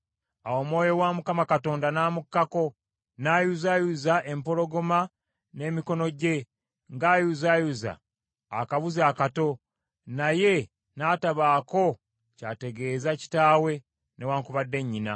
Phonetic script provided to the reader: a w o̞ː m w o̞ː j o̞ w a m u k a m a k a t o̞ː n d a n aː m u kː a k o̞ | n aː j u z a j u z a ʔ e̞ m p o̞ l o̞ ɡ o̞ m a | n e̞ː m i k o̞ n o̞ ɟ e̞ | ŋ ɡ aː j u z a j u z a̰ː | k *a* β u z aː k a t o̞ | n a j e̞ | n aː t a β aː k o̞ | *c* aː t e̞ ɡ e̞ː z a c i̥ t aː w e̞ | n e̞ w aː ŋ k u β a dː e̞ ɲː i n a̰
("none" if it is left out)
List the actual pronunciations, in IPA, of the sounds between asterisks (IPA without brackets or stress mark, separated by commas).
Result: a, c